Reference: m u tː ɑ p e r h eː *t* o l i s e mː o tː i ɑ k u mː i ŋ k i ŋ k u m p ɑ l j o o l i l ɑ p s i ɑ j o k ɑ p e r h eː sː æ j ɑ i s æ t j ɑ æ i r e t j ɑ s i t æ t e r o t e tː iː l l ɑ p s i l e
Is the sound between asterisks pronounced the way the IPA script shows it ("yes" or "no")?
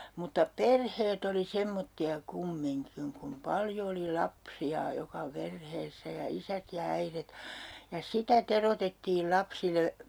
yes